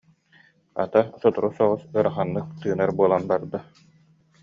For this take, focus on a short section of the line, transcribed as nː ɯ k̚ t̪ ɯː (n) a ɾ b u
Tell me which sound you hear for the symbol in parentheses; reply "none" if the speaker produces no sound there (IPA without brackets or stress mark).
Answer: n